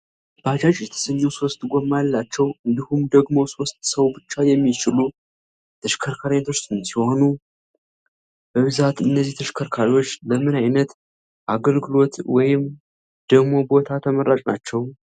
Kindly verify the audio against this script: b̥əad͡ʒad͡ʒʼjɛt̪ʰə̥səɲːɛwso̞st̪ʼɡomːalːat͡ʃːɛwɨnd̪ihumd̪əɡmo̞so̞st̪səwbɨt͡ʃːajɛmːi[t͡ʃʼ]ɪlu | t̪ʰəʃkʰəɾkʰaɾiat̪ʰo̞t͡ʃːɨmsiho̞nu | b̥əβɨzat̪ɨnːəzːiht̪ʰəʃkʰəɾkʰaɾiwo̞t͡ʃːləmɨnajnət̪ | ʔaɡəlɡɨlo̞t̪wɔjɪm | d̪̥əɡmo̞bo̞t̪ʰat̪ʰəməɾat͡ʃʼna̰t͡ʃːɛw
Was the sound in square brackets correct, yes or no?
no